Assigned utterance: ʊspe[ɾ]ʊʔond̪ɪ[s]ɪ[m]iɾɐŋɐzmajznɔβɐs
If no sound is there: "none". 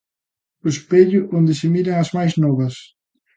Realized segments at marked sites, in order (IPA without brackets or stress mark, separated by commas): ʎ, s, m